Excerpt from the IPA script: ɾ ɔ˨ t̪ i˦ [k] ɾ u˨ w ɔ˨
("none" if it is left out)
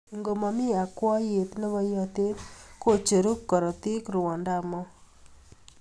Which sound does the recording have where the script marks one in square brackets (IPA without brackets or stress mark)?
k